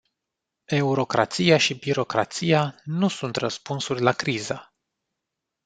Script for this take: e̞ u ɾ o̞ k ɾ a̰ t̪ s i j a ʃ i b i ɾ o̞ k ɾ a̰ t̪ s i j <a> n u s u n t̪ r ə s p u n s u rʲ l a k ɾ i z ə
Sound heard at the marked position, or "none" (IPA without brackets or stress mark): a